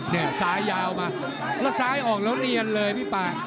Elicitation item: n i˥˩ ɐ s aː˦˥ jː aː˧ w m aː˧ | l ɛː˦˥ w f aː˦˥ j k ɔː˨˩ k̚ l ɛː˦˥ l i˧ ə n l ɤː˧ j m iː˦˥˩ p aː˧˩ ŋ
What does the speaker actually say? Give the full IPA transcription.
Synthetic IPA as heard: n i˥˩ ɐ s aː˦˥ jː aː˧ w m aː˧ | l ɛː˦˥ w s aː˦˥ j ʔ ɔː˨˩ k̚ l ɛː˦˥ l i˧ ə n l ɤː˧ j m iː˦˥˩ p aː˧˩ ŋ

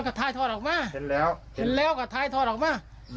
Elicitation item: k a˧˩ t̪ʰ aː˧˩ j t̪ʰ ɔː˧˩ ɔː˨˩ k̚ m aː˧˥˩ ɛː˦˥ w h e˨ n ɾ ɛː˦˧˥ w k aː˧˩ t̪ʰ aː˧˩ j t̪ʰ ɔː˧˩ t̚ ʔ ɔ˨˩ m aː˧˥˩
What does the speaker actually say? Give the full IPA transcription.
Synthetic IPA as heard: k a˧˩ t̪ʰ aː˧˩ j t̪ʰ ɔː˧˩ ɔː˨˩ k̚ m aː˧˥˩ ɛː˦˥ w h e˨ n l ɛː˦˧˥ w k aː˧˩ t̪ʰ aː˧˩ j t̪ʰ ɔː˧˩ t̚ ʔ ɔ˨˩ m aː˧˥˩

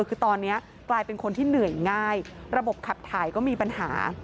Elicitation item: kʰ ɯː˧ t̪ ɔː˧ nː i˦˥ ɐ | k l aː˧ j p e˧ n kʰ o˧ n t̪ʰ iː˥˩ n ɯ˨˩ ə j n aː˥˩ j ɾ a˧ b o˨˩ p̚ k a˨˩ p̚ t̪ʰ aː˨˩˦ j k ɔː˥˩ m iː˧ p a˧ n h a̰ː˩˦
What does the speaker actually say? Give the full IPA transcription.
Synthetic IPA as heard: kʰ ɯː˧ t̪ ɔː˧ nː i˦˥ ɐ | k l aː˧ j p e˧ n kʰ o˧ n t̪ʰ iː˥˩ n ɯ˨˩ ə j ŋ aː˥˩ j ɾ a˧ b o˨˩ p̚ kʰ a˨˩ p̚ t̪ʰ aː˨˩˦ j k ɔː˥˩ m iː˧ p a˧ n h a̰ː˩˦

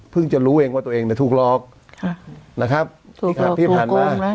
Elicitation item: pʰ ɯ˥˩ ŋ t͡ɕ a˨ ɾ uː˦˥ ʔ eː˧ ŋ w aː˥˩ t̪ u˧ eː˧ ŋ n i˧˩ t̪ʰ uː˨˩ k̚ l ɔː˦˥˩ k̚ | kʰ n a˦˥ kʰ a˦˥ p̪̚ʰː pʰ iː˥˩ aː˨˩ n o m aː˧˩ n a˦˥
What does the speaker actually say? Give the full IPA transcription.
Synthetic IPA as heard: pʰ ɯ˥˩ ŋ t͡ɕ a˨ ɾ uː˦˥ ʔ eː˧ ŋ w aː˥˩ t̪ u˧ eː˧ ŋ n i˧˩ t̪ʰ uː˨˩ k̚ l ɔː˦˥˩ k̚ | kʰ n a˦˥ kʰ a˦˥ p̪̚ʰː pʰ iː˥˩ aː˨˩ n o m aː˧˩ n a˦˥

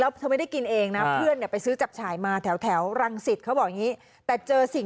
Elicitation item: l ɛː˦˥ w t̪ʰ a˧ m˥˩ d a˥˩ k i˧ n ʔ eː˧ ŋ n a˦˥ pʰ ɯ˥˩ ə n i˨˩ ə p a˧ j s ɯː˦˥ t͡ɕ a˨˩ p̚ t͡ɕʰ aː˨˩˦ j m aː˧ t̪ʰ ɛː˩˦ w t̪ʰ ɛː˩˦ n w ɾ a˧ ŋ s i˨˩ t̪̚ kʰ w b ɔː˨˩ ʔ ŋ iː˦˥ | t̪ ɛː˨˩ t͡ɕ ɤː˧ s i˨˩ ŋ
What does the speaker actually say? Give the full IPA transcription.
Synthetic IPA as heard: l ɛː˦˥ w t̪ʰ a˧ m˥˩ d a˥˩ k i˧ n ʔ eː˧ ŋ n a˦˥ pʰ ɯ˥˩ ə n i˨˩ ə p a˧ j s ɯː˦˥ t͡ɕ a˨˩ p̚ t͡ɕʰ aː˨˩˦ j m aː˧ t̪ʰ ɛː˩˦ w t̪ʰ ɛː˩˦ w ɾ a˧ ŋ s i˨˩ t̪̚ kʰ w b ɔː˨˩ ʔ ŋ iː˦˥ | t̪ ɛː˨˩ t͡ɕ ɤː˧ s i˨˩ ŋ

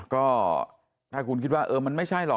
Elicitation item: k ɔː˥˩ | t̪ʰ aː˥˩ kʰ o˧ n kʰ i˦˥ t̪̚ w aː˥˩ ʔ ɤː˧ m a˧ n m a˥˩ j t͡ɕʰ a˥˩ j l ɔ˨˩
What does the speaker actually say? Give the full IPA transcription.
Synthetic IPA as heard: k ɔː˥˩ | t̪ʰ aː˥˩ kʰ u˧ n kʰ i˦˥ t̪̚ w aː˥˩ ʔ ɤː˧ m a˧ n m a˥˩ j t͡ɕʰ a˥˩ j l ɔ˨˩

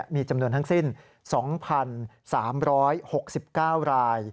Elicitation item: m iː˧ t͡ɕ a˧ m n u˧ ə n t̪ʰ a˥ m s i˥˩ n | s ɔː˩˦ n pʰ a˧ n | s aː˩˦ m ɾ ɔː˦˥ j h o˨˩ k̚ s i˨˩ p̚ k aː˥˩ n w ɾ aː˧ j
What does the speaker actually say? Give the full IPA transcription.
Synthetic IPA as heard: m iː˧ t͡ɕ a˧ m n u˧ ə n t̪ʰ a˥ ŋ s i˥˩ n | s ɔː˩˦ ŋ pʰ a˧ n | s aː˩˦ m ɾ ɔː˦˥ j h o˨˩ k̚ s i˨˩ p̚ k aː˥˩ w ɾ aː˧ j

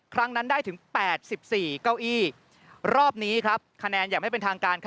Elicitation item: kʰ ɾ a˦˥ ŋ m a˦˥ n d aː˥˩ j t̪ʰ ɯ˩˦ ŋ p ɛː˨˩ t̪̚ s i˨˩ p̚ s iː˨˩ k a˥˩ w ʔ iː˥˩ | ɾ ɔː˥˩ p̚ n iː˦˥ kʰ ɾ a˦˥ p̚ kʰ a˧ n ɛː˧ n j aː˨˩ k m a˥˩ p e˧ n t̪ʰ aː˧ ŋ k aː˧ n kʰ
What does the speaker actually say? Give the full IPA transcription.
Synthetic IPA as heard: kʰ ɾ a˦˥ ŋ n a˦˥ n d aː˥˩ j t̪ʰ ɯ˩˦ ŋ p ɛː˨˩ t̪̚ s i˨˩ p̚ s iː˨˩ k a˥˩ w ʔ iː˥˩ | ɾ ɔː˥˩ p̚ n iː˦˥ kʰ ɾ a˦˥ p̚ kʰ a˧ n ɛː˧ n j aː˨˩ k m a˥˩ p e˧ n t̪ʰ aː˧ ŋ k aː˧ n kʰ

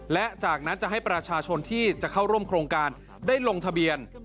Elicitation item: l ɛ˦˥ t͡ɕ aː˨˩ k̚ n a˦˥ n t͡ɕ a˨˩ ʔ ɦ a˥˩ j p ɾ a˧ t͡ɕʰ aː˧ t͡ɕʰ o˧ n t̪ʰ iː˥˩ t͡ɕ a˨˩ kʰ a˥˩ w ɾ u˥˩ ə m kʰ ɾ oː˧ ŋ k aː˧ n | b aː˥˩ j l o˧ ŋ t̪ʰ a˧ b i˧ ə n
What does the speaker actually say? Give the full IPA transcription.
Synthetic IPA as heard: l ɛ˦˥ t͡ɕ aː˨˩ k̚ n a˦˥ n t͡ɕ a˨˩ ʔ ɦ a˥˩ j p ɾ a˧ t͡ɕʰ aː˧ t͡ɕʰ o˧ n t̪ʰ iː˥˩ t͡ɕ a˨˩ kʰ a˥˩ w ɾ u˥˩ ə m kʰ ɾ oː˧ ŋ k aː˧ n | d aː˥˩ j l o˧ ŋ t̪ʰ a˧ b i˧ ə n

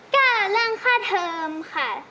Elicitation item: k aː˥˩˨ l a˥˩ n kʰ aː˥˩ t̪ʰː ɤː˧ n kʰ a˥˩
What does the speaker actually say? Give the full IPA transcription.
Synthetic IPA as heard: k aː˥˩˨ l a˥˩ ŋ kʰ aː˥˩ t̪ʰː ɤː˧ m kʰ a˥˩

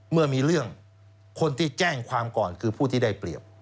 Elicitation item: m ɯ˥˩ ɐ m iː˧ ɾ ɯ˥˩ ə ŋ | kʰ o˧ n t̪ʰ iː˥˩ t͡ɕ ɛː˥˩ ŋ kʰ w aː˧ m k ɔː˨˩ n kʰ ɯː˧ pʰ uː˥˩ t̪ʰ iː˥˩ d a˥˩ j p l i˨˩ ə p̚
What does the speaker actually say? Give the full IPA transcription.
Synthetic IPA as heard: m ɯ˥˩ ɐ m iː˧ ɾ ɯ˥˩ ə ŋ | kʰ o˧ n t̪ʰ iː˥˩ t͡ɕ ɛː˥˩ ŋ kʰ w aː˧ m k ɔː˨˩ n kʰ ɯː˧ pʰ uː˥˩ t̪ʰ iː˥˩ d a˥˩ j p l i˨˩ ə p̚

